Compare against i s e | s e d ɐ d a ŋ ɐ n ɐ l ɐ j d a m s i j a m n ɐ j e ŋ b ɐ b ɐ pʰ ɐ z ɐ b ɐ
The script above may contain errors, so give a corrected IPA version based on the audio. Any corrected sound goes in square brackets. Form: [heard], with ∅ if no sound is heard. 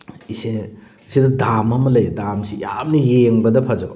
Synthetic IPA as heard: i s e | s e d ɐ d a [m] ɐ [m] ɐ l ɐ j d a m s i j a m n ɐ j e ŋ b ɐ [d] ɐ pʰ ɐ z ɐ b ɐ